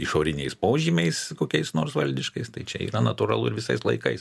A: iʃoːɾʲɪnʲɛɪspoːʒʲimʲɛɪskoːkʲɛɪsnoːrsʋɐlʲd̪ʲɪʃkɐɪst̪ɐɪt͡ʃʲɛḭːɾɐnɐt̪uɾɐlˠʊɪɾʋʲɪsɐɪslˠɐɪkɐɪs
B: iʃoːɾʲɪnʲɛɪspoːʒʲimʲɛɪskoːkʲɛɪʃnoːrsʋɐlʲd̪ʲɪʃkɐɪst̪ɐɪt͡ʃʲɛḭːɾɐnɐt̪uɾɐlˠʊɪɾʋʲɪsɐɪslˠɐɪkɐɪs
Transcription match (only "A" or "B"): A